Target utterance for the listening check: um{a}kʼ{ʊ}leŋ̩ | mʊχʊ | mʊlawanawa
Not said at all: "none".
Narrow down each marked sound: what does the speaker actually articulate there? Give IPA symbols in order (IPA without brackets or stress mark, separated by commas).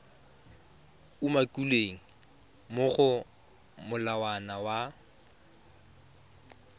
a, u